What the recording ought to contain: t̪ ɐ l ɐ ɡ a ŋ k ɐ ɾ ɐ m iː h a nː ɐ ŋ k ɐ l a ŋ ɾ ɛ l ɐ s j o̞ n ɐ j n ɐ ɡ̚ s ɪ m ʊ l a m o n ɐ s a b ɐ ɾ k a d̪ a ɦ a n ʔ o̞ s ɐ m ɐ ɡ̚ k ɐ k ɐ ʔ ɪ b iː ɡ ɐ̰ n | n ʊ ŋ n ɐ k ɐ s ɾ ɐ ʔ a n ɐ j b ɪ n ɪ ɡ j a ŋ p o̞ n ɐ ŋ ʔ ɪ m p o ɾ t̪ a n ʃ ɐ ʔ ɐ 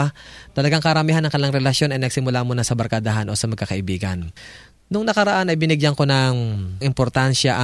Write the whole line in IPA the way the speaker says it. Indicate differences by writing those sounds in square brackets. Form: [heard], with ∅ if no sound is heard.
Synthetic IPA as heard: t̪ ɐ l ɐ ɡ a ŋ k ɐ ɾ ɐ m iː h a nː ɐ ŋ k ɐ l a ŋ ɾ ɛ l ɐ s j o̞ n ɐ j n ɐ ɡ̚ s ɪ m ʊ l a m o n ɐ s [ɐ] b ɐ ɾ k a d̪ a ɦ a n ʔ o̞ s ɐ m ɐ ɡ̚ k ɐ k ɐ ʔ ɪ b iː ɡ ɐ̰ n | n ʊ ŋ n ɐ k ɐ [∅] ɾ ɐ ʔ a n ɐ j b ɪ n ɪ ɡ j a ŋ [k] o̞ n ɐ ŋ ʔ ɪ m p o ɾ t̪ a n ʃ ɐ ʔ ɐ